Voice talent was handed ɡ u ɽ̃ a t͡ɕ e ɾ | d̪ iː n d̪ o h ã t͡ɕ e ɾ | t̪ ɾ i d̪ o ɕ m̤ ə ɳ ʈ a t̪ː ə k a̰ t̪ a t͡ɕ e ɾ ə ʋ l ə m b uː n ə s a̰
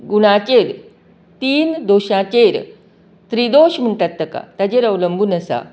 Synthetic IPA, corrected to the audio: ɡ u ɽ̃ a t͡ɕ e ɾ | t̪ iː n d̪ o ɕ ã t͡ɕ e ɾ | t̪ ɾ i d̪ o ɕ m̤ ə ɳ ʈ a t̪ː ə k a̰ t̪ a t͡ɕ e ɾ ə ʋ l ə m b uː n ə s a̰